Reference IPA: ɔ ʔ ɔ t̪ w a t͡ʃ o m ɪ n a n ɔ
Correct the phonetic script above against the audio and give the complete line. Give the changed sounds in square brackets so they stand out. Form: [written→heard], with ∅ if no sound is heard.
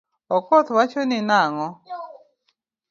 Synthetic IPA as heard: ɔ [ʔ→k] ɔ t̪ w a t͡ʃ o [m→n] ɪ n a [n→ŋ] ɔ